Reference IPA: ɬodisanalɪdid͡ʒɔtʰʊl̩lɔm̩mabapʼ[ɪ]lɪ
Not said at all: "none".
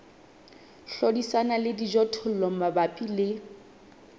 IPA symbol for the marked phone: i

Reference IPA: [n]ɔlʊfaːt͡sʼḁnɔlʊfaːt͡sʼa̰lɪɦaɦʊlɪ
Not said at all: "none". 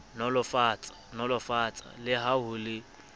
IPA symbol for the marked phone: n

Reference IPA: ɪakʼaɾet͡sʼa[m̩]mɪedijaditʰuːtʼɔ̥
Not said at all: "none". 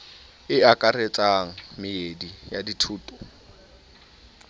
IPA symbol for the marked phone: ŋ̩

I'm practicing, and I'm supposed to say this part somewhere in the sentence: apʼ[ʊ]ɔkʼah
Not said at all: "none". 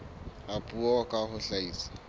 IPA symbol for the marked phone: u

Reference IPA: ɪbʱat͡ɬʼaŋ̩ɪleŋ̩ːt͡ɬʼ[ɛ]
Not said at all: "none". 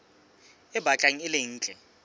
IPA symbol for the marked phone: ɛ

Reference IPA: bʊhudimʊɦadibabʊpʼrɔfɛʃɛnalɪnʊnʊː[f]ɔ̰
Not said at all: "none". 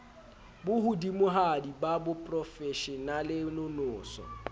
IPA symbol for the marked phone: s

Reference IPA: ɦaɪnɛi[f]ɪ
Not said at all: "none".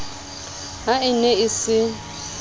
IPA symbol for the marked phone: s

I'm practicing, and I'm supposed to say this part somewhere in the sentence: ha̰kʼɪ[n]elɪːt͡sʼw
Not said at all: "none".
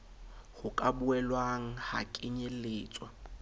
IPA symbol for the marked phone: ɲ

